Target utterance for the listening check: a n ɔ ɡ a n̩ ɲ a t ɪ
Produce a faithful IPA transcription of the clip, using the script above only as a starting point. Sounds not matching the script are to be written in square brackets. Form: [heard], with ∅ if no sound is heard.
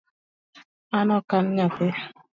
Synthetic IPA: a n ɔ [k] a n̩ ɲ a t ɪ